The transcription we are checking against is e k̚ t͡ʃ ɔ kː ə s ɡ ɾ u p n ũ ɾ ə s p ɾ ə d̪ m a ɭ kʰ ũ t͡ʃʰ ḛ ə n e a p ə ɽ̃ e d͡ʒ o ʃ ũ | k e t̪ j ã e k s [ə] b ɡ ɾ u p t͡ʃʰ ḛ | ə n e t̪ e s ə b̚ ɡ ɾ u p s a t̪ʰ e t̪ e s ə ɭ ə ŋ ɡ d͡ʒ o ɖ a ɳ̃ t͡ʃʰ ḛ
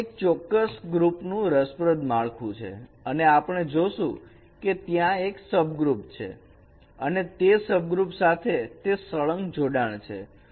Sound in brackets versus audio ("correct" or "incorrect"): correct